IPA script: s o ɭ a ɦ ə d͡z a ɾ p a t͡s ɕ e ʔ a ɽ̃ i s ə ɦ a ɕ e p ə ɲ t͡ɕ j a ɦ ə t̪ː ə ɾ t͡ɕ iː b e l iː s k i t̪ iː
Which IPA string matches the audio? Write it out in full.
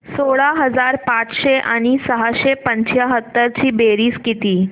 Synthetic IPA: s o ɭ a ɦ ə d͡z a ɾ p a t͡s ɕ e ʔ a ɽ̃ i s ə ɦ a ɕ e p ə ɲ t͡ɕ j a ɦ ə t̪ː ə ɾ t͡ɕ iː b e ɾ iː s k i t̪ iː